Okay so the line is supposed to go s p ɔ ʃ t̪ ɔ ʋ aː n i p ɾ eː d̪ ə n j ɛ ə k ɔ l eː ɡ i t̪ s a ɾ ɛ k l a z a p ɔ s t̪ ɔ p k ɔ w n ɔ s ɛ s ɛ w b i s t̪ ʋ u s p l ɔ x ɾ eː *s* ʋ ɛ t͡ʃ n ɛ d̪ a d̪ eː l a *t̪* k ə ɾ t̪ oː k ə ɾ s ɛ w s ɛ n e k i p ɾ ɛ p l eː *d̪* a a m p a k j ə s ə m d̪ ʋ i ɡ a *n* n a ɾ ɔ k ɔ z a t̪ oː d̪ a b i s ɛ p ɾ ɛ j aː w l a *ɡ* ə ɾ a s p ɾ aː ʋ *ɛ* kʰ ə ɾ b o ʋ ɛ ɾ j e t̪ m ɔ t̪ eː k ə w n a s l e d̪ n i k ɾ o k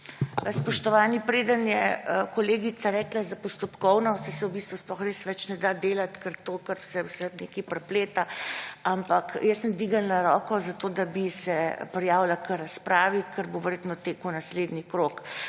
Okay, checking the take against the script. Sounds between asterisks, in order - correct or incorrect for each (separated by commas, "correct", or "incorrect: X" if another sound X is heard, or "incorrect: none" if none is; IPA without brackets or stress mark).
correct, correct, incorrect: t̪, correct, incorrect: k, incorrect: i